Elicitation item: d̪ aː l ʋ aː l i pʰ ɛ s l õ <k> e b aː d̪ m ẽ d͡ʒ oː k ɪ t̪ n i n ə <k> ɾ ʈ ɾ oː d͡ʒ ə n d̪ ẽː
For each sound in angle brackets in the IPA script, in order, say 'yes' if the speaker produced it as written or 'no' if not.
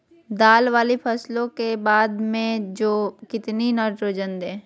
yes, no

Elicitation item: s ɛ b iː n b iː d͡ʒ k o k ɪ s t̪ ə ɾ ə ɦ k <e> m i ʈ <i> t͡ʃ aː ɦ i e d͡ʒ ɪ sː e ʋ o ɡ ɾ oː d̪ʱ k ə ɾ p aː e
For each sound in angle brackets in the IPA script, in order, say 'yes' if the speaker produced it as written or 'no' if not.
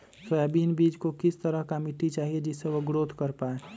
no, yes

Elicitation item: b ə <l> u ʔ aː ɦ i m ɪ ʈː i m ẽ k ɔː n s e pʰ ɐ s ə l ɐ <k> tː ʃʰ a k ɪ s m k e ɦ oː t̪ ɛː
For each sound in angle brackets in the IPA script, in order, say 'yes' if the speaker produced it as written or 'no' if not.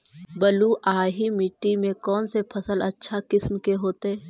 yes, no

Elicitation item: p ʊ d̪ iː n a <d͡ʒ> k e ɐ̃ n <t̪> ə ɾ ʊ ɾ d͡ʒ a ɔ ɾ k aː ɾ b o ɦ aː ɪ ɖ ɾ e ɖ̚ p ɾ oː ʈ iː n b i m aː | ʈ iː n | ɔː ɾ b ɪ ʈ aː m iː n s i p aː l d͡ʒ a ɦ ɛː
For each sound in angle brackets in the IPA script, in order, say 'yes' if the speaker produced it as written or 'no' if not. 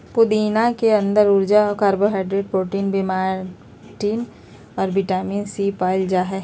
no, no

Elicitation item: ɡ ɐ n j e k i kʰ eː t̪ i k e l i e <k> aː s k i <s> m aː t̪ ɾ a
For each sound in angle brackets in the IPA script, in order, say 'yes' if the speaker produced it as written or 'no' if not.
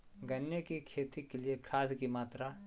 no, no

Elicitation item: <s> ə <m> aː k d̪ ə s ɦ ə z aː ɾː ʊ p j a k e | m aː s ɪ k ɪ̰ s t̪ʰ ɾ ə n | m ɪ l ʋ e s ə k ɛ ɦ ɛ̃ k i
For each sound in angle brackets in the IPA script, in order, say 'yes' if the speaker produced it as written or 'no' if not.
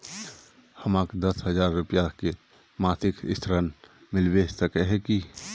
no, yes

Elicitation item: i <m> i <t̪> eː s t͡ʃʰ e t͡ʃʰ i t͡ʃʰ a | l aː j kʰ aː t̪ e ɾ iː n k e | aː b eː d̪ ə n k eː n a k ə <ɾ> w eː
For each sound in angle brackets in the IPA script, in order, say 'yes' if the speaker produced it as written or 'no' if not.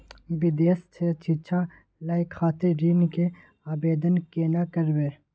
no, no, yes

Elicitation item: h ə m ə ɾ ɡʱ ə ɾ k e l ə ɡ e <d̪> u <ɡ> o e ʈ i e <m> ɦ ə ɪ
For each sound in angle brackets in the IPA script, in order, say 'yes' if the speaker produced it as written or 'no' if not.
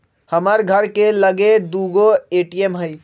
yes, yes, yes

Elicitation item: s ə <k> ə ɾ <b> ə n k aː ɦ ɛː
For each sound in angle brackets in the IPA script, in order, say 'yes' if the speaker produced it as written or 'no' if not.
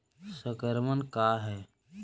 yes, no

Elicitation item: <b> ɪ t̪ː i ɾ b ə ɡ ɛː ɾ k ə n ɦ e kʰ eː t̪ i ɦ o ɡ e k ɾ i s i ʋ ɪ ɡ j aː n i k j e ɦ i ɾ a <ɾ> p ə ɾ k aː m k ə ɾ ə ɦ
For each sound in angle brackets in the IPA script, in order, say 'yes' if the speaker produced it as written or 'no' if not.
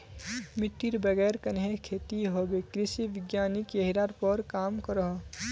no, yes

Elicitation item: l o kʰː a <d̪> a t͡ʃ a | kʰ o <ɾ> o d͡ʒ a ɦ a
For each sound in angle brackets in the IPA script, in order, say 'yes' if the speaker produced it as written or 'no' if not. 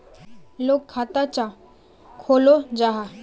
no, no

